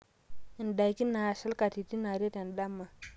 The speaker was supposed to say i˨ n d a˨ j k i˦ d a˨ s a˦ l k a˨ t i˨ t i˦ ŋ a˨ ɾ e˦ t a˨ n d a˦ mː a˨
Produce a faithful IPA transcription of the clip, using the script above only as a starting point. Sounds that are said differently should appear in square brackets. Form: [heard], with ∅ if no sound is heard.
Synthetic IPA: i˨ n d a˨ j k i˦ [n] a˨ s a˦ l k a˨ t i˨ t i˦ [n] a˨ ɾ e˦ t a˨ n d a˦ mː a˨